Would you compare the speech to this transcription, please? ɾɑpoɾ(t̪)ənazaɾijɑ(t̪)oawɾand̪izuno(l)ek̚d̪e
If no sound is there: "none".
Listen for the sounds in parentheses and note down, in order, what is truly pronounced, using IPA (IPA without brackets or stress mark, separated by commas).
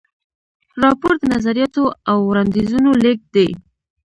d̪, t̪, l